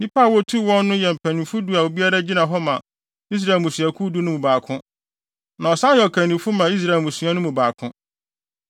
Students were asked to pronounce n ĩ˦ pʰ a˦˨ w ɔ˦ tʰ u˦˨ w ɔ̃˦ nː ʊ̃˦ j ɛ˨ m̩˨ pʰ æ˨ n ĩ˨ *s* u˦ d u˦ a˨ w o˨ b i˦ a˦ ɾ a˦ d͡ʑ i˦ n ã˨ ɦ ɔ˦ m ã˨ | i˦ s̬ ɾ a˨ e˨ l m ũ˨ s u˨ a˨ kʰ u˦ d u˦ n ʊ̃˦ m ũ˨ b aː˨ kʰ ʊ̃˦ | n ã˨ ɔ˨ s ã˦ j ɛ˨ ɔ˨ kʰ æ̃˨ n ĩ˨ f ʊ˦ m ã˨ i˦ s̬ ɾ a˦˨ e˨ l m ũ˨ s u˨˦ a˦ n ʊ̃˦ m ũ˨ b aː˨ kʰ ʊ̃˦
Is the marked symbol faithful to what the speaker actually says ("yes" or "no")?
no